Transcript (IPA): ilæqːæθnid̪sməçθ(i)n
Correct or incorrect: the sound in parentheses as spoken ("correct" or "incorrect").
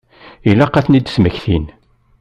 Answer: correct